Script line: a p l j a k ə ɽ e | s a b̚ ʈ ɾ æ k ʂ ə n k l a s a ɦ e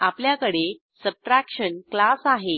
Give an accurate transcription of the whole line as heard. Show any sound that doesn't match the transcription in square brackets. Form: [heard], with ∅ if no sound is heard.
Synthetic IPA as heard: a p l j a k ə ɽ e | s [ə] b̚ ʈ ɾ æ k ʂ ə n k l a s a ɦ e